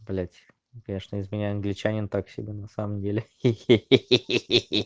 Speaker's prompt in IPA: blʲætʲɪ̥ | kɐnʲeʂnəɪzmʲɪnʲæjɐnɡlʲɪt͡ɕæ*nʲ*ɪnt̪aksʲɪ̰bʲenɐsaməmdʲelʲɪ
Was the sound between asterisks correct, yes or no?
yes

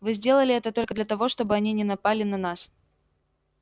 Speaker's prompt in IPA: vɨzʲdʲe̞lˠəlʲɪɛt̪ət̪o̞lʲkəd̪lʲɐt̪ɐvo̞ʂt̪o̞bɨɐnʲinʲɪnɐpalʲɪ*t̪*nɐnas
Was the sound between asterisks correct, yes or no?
no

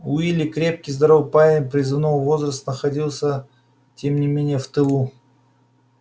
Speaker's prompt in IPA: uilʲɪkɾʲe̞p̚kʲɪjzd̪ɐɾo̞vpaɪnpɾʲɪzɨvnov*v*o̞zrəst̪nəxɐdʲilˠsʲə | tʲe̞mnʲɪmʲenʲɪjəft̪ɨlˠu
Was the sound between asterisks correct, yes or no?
yes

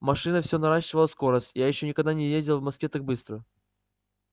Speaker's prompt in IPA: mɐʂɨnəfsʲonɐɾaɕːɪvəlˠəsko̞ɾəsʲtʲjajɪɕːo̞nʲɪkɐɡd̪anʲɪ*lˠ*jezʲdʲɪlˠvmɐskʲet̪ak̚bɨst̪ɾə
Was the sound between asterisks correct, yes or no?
no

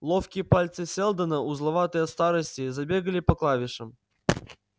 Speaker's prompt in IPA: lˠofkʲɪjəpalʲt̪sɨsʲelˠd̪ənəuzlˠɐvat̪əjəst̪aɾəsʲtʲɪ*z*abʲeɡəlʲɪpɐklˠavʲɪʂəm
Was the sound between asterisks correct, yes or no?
yes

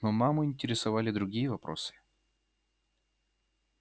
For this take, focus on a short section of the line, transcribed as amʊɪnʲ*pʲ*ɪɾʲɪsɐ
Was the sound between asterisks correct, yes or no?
no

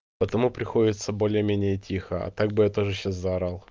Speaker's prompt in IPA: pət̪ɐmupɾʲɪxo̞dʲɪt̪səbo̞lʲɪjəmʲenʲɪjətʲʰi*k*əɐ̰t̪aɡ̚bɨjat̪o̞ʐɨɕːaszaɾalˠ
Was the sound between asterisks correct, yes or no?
no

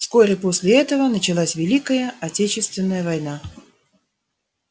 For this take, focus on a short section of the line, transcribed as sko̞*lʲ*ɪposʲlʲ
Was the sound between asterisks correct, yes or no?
no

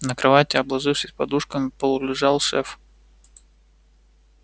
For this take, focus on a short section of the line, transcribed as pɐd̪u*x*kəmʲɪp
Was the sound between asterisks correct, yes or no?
no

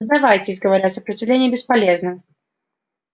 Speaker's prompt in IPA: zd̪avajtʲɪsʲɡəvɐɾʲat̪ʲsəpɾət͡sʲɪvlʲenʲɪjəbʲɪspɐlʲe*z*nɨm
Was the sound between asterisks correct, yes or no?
yes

